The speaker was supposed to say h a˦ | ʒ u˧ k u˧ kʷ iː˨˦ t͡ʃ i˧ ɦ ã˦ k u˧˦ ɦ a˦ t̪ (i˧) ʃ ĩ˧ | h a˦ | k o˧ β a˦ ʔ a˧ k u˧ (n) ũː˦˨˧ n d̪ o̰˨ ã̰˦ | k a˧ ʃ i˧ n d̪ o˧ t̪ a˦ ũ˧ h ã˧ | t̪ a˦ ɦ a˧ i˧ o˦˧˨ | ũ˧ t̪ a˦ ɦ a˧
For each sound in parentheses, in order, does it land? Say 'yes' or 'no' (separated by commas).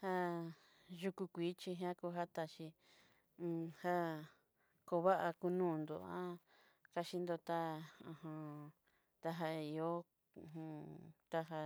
no, yes